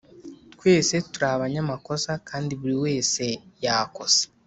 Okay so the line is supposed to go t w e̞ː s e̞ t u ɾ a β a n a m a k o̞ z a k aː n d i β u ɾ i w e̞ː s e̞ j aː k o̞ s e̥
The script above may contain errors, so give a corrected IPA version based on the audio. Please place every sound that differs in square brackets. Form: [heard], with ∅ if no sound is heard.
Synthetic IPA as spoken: t w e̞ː s e̞ t u ɾ a β a [ɲ] a m a k o̞ [s] a k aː n d i β u ɾ i w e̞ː s e̞ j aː k o̞ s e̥